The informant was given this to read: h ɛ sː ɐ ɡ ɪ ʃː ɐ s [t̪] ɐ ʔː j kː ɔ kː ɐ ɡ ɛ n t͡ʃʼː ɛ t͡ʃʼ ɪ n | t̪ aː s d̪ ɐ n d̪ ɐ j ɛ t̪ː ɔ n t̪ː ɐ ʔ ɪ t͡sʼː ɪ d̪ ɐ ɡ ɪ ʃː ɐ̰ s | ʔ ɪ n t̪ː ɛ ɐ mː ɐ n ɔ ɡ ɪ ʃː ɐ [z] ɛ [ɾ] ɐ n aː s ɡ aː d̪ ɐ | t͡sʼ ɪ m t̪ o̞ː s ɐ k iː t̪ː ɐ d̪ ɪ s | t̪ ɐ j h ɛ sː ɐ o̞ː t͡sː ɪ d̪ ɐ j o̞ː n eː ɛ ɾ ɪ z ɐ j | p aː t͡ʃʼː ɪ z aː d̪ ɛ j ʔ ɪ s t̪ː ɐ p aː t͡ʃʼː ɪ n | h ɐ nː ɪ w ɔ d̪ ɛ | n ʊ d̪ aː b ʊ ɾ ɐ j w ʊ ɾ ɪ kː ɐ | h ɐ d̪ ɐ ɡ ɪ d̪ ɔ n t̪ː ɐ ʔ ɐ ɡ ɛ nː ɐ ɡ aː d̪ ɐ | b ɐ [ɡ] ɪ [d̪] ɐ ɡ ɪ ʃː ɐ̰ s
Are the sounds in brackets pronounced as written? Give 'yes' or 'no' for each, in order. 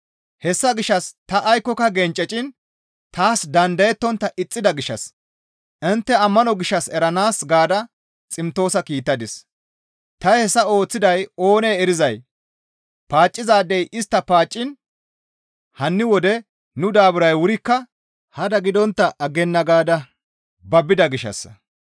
yes, no, yes, no, yes

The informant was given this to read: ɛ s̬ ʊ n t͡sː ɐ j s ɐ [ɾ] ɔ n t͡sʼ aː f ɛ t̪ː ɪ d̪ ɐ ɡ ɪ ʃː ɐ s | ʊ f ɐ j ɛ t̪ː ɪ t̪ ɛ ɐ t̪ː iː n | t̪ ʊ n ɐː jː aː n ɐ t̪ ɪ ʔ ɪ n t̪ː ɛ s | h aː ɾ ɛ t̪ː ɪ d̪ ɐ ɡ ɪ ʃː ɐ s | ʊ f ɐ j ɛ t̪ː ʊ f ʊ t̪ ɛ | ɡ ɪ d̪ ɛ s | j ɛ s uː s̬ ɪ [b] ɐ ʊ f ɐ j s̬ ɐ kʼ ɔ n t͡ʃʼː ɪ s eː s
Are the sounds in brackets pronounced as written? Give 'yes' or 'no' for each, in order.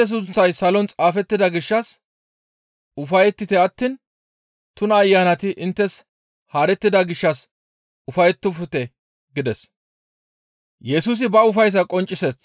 no, yes

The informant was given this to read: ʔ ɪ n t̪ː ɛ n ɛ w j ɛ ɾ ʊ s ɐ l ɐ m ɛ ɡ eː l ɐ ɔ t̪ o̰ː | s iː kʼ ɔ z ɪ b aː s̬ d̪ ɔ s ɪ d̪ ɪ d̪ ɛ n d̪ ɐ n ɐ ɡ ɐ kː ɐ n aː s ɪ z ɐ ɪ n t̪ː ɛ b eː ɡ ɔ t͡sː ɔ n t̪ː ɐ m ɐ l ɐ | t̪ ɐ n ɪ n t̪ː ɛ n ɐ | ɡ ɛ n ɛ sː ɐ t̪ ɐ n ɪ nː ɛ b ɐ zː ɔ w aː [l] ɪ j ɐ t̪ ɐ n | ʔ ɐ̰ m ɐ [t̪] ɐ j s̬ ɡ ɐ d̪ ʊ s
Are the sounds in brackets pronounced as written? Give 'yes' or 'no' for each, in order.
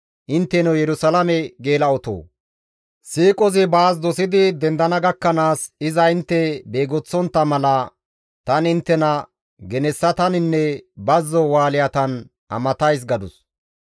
yes, yes

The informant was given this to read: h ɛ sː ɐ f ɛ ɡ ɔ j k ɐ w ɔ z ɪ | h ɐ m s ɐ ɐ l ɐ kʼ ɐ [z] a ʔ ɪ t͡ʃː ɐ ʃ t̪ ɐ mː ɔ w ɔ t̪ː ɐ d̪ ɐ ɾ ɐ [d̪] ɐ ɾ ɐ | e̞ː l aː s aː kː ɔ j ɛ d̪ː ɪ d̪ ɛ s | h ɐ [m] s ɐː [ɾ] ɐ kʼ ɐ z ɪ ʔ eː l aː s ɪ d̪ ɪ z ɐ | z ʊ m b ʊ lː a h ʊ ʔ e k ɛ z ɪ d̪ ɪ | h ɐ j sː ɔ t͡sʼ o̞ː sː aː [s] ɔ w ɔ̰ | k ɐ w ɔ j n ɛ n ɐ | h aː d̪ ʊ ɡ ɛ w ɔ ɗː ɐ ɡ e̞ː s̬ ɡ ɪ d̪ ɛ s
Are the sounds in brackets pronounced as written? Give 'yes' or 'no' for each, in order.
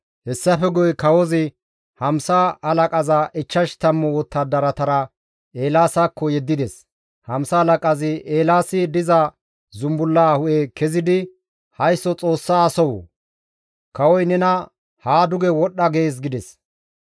yes, no, yes, no, yes

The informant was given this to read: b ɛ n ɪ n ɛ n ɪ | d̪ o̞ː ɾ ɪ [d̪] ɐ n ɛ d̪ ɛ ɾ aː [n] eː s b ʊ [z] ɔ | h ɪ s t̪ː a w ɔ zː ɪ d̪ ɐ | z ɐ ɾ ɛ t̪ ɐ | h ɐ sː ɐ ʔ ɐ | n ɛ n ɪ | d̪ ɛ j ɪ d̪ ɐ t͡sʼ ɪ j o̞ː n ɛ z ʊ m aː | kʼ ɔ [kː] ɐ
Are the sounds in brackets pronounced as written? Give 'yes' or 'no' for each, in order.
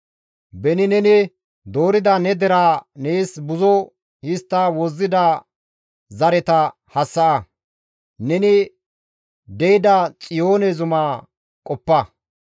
yes, yes, yes, no

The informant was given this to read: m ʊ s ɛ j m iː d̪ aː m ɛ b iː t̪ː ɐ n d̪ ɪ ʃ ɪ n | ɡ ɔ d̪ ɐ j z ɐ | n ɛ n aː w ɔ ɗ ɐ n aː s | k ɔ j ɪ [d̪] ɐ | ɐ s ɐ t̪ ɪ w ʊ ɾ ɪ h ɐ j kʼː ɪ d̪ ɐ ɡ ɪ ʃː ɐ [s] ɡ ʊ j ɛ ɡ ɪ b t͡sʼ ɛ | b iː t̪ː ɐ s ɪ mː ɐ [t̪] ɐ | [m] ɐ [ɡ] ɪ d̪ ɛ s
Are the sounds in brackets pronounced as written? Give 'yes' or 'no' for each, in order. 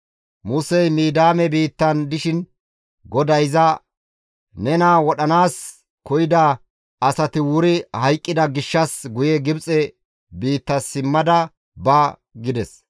yes, yes, no, no, yes

